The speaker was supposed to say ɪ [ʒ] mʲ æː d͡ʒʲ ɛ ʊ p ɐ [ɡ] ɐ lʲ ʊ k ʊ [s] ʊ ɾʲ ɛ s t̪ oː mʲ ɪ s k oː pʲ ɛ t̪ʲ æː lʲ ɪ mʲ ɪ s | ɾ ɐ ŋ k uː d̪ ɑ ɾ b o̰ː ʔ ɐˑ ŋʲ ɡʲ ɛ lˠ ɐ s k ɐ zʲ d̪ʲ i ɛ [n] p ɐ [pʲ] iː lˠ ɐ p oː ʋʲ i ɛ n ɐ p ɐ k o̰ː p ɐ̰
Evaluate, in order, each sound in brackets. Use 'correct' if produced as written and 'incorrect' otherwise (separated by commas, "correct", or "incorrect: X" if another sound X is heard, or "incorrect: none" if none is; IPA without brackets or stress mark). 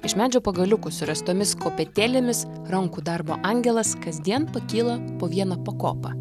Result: incorrect: ʃ, correct, correct, correct, incorrect: kʲ